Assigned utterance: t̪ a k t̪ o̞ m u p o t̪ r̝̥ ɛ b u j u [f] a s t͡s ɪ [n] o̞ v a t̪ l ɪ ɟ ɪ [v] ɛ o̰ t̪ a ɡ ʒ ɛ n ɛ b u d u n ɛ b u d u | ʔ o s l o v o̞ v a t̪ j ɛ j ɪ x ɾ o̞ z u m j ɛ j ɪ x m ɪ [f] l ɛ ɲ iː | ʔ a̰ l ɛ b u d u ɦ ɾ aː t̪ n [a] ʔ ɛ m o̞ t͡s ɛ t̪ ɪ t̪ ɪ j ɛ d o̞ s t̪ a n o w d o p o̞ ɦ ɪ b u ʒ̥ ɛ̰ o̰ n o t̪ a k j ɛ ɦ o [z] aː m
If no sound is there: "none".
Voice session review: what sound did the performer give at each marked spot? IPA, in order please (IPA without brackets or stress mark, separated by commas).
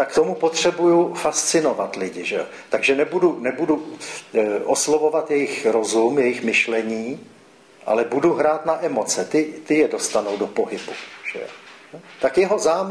f, n, ʒ, ʃ, a, z